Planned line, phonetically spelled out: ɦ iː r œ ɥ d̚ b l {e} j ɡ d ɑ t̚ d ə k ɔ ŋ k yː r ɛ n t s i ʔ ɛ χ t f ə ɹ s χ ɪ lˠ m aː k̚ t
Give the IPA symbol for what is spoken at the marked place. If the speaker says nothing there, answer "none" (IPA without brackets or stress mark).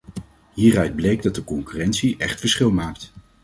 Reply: e